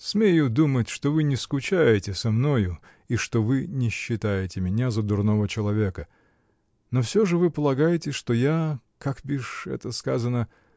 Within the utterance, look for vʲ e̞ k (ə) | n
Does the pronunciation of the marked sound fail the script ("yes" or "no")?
no